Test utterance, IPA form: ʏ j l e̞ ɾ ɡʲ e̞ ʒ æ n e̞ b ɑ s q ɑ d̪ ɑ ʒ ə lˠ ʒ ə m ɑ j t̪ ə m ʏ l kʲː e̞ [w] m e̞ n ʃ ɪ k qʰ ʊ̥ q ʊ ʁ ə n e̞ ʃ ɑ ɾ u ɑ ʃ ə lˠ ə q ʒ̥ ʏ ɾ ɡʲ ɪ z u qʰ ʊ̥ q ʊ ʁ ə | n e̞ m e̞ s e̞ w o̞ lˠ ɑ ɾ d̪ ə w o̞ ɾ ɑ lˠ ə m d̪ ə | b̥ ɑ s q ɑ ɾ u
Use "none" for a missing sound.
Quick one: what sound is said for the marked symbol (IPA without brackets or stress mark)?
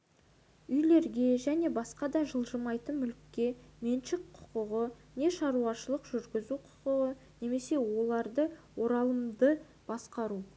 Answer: none